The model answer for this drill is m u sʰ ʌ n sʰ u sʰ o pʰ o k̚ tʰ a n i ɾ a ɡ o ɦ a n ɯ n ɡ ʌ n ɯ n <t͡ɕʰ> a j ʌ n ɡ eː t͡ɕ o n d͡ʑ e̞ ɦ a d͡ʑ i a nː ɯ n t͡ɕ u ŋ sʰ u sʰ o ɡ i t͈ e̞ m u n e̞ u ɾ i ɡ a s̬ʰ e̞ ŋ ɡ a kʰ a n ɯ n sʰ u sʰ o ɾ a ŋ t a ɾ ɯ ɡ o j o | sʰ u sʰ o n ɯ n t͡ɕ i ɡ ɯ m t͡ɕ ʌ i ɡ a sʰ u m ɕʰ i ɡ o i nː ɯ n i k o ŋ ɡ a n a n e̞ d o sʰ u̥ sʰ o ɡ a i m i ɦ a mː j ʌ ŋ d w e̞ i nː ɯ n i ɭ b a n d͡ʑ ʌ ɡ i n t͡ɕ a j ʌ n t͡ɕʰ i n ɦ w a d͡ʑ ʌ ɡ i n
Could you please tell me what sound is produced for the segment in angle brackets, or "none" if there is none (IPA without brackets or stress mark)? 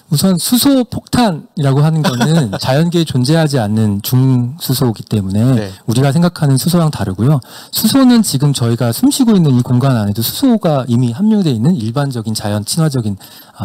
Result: t͡ɕ